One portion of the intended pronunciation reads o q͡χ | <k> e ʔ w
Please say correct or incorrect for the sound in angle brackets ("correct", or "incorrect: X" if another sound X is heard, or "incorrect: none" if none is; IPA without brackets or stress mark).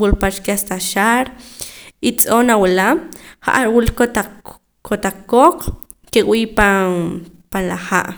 correct